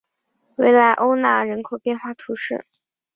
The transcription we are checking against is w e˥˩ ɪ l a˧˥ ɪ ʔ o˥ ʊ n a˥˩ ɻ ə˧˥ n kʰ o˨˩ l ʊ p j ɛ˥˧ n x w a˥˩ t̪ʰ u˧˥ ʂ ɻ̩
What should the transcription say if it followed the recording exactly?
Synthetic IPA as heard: w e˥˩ ɪ l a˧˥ ɪ ʔ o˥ ʊ n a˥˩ ɻ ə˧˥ n kʰ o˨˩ ʊ p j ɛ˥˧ n x w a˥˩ t̪ʰ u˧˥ ʂ ɻ̩